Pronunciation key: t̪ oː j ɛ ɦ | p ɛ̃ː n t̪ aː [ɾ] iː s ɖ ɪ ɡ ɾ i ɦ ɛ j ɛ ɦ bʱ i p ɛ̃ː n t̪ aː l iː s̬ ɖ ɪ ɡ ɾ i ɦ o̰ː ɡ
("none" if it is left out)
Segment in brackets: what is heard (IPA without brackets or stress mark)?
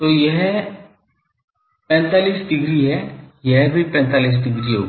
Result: l